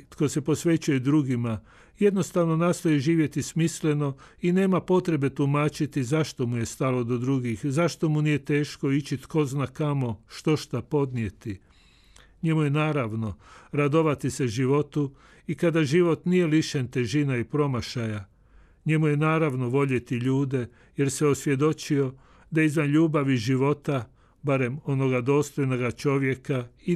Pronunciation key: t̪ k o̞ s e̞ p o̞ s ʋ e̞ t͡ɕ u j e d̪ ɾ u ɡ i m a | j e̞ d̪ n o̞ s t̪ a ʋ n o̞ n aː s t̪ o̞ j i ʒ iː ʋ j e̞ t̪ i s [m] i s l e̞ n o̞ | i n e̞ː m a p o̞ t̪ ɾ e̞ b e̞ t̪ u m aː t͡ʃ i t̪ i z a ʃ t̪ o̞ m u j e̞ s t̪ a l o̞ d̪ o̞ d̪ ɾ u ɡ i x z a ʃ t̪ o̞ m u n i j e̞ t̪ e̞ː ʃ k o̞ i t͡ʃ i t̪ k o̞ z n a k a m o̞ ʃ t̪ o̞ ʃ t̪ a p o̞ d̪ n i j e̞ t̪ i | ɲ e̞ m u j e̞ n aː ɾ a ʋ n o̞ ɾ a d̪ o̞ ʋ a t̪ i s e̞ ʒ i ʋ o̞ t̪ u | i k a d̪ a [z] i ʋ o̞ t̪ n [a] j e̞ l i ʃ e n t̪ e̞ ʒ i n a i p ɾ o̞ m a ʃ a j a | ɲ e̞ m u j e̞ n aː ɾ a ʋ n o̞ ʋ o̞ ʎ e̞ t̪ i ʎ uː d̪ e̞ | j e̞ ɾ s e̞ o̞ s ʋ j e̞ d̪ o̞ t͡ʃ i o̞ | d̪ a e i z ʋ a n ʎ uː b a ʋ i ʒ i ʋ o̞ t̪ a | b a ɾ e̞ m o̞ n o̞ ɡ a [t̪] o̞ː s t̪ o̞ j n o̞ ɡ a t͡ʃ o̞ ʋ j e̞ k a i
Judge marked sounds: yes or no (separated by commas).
yes, no, no, no